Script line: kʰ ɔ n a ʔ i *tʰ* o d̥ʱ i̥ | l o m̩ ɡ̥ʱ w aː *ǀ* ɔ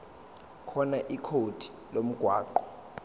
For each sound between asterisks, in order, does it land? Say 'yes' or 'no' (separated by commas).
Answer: no, no